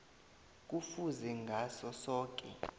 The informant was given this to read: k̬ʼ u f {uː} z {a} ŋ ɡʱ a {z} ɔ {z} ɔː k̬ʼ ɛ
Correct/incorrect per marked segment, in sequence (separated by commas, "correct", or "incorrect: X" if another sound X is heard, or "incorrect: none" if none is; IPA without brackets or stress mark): incorrect: u, incorrect: ɛ, incorrect: s, incorrect: s